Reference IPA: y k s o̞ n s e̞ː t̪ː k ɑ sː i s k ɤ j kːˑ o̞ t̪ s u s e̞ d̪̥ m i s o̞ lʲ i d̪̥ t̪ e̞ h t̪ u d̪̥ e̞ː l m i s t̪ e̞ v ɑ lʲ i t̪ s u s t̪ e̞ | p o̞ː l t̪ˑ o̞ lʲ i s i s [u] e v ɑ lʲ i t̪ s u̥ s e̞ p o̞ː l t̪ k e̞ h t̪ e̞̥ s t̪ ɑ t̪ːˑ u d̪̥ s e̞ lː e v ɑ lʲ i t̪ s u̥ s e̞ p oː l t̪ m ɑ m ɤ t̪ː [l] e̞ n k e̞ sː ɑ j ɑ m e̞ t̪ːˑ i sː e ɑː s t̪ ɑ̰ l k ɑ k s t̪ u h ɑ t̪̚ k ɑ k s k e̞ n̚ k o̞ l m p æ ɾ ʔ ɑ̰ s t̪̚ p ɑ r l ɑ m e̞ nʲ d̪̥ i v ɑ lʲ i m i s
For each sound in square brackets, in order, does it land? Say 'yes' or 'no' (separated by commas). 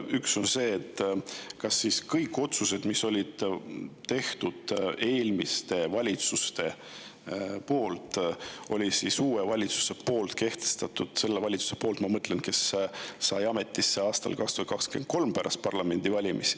no, yes